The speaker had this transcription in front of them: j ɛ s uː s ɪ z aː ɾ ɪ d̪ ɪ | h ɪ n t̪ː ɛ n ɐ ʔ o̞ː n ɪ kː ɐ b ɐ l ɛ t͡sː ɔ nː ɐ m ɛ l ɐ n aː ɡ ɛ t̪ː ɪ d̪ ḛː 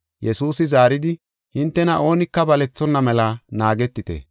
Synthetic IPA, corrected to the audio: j ɛ s uː s ɪ z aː ɾ ɪ d̪ ɪ | h ɪ n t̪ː ɛ n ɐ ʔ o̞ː n ɪ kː ɐ b ɐ l ɛ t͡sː ɔ nː ɐ m ɛ l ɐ n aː ɡ ɛ t̪ː ɪ t̪ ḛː